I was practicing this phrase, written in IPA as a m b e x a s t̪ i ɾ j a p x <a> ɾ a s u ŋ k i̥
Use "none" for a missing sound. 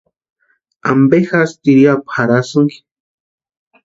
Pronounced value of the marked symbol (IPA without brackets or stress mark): a